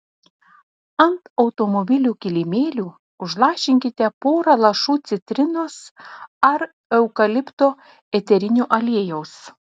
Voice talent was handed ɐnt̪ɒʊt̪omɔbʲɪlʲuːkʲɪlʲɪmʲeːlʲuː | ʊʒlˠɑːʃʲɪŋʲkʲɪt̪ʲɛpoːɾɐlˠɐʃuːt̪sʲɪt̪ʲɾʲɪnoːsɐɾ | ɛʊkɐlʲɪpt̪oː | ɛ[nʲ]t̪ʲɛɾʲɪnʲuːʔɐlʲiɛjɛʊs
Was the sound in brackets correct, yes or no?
no